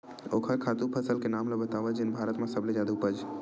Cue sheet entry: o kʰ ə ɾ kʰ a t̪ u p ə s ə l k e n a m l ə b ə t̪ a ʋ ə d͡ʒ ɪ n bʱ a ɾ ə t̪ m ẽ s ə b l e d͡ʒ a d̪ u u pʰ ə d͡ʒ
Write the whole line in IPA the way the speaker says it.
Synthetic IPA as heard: o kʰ ə ɾ kʰ a t̪ u pʰ ə s ə l k e n a m l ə b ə t̪ a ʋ ə d͡ʒ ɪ n bʱ a ɾ ə t̪ m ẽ s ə b l e d͡ʒ a d̪ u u p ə d͡ʒ